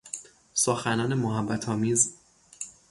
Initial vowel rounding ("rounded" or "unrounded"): rounded